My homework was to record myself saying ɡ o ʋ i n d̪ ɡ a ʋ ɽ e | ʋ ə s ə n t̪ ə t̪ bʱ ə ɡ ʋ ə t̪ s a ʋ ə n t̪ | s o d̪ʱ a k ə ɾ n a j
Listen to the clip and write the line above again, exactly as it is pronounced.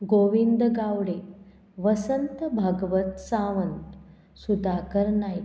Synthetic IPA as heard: ɡ o ʋ i n d̪ ɡ a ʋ ɽ e | ʋ ə s ə n t̪ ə bʱ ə ɡ ʋ ə t̪ s a ʋ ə n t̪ | s u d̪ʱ a k ə ɾ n a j